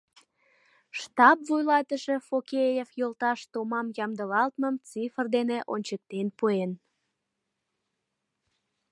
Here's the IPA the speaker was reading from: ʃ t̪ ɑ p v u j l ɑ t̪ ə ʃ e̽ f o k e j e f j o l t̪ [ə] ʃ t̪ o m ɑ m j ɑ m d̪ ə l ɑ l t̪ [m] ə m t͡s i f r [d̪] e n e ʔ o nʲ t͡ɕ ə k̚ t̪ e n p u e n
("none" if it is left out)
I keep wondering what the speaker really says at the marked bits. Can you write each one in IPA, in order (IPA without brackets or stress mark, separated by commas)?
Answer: ɑ, m, d̪